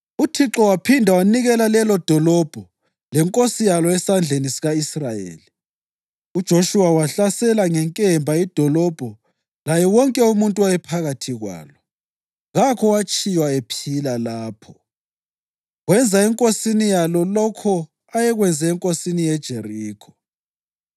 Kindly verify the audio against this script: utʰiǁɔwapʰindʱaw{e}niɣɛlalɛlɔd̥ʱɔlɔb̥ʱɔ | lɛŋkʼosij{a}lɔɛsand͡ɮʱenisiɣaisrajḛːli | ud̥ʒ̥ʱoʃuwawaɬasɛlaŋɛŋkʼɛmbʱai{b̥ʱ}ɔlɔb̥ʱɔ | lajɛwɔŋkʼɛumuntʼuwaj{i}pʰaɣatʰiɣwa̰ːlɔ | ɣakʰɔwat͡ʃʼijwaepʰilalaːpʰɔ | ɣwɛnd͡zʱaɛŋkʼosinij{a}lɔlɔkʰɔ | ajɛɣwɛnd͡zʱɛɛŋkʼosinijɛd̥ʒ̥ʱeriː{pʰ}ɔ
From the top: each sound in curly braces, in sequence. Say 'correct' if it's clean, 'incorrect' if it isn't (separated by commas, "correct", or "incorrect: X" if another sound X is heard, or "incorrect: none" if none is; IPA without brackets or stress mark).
incorrect: a, correct, incorrect: d̥ʱ, incorrect: ɛ, correct, incorrect: kʰ